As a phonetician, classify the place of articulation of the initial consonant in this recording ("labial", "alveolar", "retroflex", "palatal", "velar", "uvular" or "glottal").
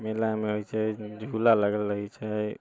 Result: labial